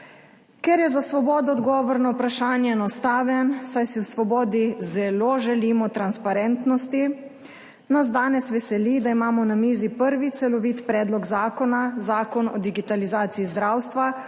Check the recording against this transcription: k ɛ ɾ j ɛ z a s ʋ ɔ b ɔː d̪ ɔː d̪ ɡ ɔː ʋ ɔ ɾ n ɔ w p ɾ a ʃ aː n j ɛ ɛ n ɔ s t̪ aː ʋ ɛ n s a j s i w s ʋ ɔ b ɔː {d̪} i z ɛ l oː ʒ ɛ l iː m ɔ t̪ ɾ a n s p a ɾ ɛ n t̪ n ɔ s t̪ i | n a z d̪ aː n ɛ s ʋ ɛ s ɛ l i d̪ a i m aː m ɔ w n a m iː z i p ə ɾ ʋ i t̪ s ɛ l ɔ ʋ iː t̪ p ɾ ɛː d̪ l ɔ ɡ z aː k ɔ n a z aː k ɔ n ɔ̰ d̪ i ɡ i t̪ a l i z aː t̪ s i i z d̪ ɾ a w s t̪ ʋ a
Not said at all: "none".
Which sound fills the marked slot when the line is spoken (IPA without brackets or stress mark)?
d̪